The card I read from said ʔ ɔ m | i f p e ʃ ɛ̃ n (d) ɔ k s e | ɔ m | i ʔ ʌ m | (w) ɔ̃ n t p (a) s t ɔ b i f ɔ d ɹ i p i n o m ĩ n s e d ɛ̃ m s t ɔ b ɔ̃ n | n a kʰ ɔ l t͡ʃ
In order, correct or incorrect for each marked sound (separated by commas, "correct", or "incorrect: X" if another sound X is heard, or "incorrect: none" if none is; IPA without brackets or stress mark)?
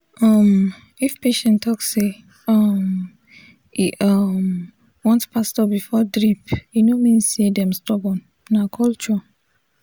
incorrect: t, correct, correct